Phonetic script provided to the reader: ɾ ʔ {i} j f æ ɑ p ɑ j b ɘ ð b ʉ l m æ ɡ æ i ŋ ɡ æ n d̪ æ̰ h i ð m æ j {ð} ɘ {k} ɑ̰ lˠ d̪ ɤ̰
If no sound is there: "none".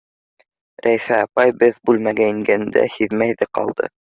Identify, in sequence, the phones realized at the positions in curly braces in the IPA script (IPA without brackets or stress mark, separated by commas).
æ, ð, q